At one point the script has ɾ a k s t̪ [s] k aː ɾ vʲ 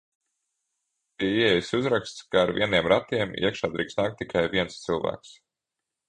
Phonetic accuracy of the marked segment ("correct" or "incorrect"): correct